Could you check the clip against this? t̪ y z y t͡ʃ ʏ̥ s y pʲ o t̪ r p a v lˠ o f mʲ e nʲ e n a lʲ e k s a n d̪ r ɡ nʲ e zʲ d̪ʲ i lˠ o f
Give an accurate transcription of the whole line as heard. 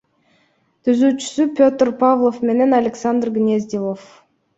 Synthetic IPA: t̪ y z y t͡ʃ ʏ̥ s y pʲ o t̪ r p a v lˠ o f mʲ e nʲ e n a lʲ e k s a n d̪ r ɡ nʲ e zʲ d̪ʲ i lˠ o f